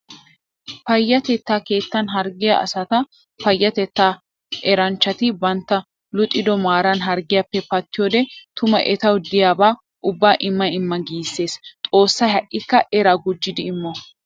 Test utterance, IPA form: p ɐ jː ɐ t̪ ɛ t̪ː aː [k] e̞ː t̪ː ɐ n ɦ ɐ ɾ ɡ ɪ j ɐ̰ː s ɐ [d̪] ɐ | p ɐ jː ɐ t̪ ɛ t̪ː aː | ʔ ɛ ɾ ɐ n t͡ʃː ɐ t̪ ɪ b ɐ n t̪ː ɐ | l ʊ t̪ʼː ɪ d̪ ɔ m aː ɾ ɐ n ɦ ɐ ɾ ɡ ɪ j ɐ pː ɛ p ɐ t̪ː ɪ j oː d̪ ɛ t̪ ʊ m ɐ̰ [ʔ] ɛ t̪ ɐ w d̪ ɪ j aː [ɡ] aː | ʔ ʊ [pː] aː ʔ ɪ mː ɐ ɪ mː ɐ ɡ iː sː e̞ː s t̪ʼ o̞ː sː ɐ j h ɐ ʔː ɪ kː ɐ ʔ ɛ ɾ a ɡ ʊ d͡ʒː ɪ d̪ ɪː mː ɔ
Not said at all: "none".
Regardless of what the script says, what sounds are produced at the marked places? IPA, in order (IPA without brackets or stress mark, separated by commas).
k, t̪, ʔ, b, bː